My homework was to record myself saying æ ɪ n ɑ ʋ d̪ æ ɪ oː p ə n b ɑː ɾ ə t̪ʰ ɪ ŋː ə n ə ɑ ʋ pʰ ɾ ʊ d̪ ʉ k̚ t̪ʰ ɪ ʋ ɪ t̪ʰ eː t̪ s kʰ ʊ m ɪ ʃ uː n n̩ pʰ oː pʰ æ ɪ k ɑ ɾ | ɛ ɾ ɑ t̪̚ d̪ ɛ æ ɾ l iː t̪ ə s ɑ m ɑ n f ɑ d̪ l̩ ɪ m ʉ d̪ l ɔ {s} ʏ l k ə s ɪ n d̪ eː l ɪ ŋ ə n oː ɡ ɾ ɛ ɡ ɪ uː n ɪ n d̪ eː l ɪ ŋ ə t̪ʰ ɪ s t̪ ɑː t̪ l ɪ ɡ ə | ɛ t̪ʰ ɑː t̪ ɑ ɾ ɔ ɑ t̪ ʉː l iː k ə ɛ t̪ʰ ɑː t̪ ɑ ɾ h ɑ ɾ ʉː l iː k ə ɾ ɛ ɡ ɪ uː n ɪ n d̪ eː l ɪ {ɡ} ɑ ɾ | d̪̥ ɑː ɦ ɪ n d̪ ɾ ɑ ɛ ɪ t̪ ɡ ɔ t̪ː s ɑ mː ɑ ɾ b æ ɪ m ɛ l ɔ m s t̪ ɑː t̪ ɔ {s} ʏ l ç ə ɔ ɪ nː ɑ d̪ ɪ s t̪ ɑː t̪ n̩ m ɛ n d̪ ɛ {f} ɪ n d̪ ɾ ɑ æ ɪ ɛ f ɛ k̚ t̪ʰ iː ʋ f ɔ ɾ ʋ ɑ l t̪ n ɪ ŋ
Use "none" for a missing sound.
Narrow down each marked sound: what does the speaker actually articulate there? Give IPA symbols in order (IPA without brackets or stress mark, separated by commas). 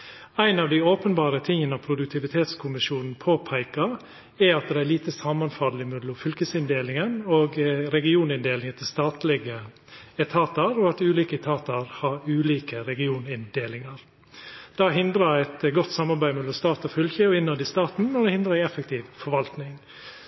f, ŋ, f, h